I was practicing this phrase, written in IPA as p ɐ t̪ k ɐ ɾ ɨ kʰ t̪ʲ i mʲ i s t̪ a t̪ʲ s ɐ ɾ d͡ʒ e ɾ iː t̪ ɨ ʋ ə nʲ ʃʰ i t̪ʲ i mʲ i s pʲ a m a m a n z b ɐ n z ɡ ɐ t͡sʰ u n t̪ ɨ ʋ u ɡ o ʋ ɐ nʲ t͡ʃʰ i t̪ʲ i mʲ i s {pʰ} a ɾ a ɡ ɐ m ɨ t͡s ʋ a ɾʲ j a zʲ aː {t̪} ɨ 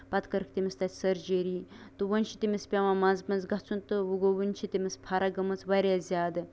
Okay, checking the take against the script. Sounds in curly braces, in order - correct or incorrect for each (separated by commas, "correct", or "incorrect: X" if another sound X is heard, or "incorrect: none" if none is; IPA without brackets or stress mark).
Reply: correct, incorrect: d̪